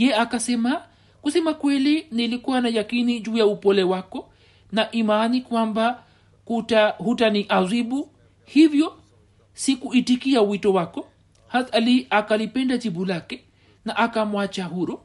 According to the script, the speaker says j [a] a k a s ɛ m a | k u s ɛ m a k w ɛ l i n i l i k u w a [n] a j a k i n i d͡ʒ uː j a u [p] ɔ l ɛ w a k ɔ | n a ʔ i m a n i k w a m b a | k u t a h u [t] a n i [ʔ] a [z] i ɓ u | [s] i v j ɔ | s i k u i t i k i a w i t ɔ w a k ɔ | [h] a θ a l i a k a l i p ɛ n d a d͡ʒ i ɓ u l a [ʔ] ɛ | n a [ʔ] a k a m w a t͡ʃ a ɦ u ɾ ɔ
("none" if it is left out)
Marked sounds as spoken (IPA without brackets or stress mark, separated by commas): ɛ, n, p, t, ʔ, z, h, h, k, ʔ